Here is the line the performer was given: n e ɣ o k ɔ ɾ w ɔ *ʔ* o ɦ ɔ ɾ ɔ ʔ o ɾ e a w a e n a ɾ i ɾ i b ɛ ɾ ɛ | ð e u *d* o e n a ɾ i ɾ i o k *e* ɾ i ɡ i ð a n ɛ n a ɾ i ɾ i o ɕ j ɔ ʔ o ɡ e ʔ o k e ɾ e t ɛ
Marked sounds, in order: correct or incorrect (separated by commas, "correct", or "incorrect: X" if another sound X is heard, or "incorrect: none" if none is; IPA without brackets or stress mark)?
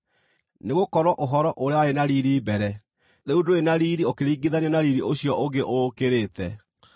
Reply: correct, correct, correct